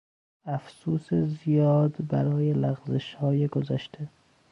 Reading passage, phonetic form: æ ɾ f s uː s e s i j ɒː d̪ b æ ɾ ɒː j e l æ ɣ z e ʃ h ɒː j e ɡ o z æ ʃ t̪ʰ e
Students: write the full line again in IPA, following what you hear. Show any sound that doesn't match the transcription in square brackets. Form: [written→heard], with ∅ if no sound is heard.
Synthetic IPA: æ [ɾ→∅] f s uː s e [s→z] i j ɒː d̪ b æ ɾ ɒː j e l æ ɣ z e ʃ h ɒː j e ɡ o z æ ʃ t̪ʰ e